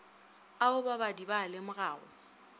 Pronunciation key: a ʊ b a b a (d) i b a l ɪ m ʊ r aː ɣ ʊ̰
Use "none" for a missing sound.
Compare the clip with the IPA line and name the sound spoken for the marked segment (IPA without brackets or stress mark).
d